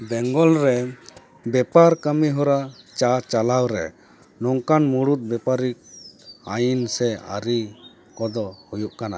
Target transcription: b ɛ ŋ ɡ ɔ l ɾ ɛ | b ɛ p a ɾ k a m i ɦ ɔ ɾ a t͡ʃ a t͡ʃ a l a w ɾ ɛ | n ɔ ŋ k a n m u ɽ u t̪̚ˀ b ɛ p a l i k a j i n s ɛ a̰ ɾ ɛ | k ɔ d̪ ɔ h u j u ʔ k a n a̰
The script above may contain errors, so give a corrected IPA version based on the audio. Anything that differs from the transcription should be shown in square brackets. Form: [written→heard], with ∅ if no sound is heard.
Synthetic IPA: b ɛ ŋ ɡ ɔ l ɾ ɛ | b ɛ p a ɾ k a m i ɦ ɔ ɾ a t͡ʃ a t͡ʃ a l a w ɾ ɛ | n ɔ ŋ k a n m u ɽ u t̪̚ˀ b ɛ p a [l→ɾ] i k a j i n s ɛ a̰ ɾ [ɛ→i] | k ɔ d̪ ɔ h u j u ʔ k a n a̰